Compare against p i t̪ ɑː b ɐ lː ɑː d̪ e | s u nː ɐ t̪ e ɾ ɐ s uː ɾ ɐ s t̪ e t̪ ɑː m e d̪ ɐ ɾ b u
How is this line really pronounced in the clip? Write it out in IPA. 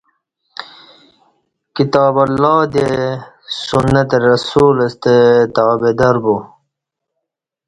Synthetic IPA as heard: k i t̪ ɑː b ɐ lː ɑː d̪ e | s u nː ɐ t̪ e ɾ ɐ s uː l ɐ s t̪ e t̪ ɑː b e d̪ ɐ ɾ b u